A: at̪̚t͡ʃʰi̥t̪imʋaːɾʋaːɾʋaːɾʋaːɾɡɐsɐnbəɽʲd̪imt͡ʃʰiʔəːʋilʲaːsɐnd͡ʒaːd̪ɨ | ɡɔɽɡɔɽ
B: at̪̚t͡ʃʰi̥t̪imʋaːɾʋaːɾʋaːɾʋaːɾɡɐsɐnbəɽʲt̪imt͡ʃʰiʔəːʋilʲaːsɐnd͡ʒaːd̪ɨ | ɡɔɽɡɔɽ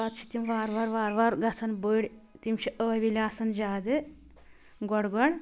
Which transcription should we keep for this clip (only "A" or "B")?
B